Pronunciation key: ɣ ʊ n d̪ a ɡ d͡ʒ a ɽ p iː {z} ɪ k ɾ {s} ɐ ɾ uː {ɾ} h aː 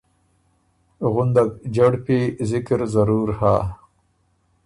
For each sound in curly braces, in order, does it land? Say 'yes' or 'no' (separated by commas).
yes, no, yes